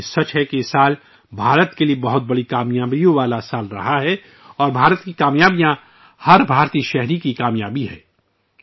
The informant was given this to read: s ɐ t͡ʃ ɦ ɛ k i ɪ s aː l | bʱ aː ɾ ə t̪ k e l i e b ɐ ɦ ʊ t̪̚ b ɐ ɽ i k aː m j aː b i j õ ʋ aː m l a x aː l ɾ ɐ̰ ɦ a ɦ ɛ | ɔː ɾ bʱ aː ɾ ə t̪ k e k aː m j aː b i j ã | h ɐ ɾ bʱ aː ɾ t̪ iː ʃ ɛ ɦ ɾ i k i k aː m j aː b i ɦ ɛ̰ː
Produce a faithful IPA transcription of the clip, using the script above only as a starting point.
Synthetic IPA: s ɐ t͡ʃ ɦ ɛ k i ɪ s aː l | bʱ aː ɾ ə t̪ k e l i e b ɐ ɦ ʊ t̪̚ b ɐ ɽ i k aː m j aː b i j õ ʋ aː l a s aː l ɾ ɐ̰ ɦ a ɦ ɛ | ɔː ɾ bʱ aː ɾ ə t̪ k i k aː m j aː b i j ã | h ɐ ɾ bʱ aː ɾ t̪ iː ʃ ɛ ɦ ɾ i k i k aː m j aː b i ɦ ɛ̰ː